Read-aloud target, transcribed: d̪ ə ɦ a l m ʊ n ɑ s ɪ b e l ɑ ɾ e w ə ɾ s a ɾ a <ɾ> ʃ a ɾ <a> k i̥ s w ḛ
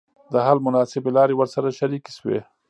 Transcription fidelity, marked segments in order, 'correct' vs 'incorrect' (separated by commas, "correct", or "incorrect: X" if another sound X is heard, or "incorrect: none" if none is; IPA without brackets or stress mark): incorrect: none, incorrect: i